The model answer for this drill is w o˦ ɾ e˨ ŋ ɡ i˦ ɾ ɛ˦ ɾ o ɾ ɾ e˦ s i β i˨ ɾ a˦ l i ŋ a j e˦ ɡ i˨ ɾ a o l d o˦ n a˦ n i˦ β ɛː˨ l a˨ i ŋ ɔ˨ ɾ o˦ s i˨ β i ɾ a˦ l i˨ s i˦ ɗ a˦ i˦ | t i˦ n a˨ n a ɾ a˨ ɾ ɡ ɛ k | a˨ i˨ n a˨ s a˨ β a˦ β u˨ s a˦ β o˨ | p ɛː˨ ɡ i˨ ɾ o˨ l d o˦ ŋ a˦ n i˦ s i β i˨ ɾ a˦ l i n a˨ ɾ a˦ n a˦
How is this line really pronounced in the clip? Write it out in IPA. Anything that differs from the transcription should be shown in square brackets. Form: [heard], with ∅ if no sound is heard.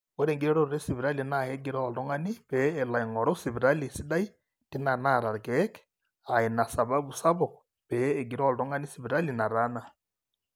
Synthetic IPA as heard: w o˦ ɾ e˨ ŋ ɡ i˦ ɾ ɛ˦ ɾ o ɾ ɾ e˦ s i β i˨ ɾ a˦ l i [n] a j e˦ ɡ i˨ ɾ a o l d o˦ [ŋ] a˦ n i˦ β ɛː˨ l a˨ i ŋ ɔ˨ ɾ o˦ s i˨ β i ɾ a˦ l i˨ s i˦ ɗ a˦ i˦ | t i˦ n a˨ n a ɾ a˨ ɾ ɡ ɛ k | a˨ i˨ n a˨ s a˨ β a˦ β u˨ s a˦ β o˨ | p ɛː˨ ɡ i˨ ɾ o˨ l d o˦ ŋ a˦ n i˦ s i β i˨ ɾ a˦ l i n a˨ ɾ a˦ n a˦

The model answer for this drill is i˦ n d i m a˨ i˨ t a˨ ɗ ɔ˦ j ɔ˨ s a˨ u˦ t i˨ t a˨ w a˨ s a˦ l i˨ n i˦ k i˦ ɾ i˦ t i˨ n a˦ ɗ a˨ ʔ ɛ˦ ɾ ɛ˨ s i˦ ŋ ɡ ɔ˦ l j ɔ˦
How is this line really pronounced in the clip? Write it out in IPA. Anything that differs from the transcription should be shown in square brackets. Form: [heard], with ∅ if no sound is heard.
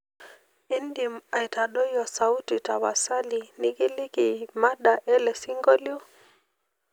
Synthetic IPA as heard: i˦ n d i m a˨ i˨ t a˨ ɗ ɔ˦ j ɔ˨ s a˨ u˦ t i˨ t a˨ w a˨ s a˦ l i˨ n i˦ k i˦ [l] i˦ [k] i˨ [m] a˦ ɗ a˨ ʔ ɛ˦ [l] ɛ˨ s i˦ ŋ ɡ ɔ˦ l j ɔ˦

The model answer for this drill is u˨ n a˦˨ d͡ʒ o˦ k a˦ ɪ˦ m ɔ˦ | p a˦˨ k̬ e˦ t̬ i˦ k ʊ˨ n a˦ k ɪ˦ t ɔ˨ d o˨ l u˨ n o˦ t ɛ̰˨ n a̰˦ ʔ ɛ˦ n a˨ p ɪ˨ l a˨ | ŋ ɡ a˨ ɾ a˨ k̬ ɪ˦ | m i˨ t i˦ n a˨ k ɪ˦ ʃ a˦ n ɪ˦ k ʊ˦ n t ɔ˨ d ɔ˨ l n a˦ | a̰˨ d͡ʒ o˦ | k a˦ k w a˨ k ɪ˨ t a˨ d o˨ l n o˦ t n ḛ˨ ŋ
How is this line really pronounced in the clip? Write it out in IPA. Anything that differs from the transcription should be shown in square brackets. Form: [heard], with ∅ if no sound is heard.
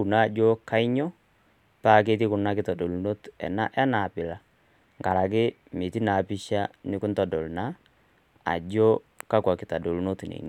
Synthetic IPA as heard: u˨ n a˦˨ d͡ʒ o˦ k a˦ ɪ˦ [ɲ] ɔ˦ | p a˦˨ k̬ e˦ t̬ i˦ k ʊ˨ n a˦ k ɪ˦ t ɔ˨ d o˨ l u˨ n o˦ t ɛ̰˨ n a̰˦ ʔ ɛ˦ n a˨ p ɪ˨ l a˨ | ŋ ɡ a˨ ɾ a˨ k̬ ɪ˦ | m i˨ t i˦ n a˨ [p] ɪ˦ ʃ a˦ n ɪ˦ k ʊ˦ n t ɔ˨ d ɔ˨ l n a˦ | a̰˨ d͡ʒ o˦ | k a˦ k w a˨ k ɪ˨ t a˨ d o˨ l n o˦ t n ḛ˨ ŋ

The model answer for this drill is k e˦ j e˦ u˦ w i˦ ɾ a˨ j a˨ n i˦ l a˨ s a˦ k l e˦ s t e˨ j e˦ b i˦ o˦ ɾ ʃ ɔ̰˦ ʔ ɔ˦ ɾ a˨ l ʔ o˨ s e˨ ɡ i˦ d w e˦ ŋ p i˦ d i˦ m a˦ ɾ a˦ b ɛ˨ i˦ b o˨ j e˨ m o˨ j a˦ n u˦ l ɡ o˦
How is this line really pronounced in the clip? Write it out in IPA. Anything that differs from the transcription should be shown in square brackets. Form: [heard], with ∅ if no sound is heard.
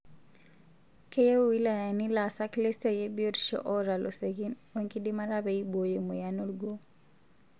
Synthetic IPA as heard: k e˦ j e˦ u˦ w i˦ [l] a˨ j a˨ n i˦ l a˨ s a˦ k l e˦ s t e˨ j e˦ b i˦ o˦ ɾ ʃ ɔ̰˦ ʔ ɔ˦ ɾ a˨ l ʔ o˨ s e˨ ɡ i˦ [n] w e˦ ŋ [k] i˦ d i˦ m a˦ ɾ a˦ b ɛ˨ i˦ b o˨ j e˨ m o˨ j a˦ n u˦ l ɡ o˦

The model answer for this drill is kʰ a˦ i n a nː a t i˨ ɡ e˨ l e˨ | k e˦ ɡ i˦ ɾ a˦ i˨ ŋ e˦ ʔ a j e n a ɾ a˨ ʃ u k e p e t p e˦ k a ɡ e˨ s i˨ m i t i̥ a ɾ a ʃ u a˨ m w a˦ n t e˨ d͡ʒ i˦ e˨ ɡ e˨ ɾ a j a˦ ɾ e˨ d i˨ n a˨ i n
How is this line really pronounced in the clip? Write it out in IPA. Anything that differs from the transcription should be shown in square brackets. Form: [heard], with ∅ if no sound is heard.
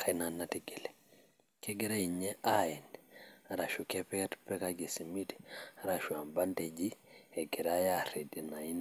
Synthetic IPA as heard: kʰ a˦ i n a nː a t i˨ ɡ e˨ l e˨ | k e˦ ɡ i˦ ɾ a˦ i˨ [ɲ] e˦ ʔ a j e n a ɾ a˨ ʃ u k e p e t p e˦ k a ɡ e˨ s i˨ m i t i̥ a ɾ a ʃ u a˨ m [b] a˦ n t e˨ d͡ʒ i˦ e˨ ɡ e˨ ɾ a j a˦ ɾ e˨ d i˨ n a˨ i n

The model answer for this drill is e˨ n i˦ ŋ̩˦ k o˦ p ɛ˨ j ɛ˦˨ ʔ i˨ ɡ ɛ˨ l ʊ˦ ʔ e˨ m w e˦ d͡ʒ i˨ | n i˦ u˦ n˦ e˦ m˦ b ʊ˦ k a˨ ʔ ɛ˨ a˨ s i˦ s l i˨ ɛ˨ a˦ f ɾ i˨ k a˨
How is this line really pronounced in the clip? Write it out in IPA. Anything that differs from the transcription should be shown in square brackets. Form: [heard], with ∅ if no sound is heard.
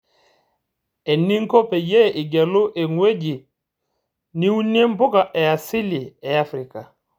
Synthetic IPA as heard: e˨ n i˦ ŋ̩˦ k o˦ p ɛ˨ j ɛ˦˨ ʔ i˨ ɡ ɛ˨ l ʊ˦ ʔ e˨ [ŋ] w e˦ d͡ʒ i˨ | n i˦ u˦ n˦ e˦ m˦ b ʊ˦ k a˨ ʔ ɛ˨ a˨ s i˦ [∅] l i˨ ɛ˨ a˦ f ɾ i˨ k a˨

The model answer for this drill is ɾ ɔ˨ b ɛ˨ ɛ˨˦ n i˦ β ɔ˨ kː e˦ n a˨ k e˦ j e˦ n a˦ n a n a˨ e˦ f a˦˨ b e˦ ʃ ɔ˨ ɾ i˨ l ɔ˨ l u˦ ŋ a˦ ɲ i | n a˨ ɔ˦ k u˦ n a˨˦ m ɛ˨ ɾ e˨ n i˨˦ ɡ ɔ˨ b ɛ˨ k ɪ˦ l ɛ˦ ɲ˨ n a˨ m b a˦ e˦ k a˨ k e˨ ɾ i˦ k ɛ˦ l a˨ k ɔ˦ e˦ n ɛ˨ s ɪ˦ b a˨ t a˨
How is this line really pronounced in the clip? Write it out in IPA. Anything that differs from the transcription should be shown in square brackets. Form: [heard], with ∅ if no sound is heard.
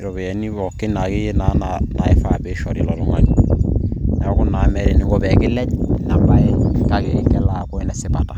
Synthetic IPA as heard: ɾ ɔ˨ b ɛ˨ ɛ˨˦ n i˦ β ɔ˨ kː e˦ n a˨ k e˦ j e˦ n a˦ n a n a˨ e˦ f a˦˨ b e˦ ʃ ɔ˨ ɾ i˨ l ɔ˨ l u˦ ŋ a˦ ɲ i | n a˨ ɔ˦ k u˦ n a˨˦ m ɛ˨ ɾ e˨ n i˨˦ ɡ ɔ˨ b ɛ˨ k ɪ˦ l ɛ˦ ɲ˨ n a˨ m b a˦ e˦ k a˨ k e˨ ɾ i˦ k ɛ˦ l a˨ k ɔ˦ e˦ n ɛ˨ s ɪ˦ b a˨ t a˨

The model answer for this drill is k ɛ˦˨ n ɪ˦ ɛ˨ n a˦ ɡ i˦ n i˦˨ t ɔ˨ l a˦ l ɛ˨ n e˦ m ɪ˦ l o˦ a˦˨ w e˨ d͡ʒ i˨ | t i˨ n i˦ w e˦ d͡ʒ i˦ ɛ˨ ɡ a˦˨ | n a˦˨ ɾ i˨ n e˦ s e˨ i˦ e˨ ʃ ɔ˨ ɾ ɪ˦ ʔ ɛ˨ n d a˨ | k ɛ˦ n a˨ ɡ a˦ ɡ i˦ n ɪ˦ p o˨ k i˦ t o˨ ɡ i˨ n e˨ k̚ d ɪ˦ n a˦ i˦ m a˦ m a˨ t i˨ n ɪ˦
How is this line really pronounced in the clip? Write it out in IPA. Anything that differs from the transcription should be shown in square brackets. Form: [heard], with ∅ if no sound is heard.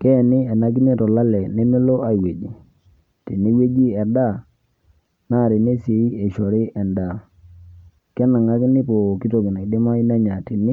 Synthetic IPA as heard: k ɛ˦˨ n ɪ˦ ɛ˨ n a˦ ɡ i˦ n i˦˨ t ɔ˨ l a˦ l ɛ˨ n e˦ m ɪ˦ l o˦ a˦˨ w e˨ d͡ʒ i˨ | t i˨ n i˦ w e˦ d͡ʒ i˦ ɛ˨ [d] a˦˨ | n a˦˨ ɾ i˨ n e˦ s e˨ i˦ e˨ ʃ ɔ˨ ɾ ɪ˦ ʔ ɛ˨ n d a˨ | k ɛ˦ n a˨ [ŋ] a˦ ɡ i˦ n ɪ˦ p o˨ k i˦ t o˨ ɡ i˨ n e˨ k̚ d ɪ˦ [m] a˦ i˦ [n] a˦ [ɲ] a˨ t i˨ n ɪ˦

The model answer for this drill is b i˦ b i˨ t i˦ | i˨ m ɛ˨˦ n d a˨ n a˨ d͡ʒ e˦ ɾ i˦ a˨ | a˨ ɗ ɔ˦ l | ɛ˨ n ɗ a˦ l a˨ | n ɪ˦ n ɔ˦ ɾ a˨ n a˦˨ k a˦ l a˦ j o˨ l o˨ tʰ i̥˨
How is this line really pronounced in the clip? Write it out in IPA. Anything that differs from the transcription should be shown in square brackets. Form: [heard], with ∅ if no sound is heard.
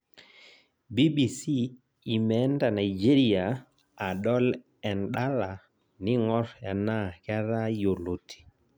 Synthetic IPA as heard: b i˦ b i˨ [s] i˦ | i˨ m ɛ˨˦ n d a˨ n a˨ d͡ʒ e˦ ɾ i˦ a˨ | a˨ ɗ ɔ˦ l | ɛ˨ n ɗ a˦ l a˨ | n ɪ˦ [ŋ] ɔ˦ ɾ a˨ n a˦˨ k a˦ [ɾ] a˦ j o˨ l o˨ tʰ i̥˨

